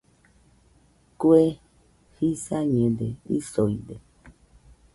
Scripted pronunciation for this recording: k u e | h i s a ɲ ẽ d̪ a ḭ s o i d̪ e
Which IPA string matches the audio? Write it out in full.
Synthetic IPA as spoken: k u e | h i s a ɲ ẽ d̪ e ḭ s o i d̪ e

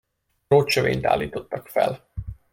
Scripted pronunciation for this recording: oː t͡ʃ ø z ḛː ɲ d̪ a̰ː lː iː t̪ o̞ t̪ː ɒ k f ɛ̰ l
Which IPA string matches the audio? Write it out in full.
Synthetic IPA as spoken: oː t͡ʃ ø v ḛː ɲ t̪ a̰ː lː iː t̪ o̞ t̪ː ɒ k f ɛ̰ l

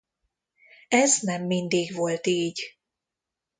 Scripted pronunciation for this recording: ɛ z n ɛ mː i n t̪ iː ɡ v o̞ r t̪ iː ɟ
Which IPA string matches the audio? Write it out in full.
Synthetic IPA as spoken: ɛ z n ɛ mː i n d̪ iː ɡ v o̞ l t̪ iː ɟ

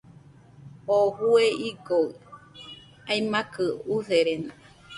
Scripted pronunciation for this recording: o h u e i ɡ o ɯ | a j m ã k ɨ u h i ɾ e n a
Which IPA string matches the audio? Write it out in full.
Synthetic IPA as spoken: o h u e i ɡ o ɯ | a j m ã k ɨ u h e ɾ e n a

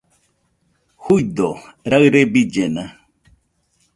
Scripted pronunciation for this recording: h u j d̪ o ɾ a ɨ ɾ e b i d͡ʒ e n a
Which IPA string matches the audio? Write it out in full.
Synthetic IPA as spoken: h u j d̪ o ɾ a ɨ ɾ e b i d͡ʒ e n a

